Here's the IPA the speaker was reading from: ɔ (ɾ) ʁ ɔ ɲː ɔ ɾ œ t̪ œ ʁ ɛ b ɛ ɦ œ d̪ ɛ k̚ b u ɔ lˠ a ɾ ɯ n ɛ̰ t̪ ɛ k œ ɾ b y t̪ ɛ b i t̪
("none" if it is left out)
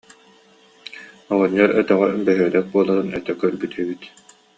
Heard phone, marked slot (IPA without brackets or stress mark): none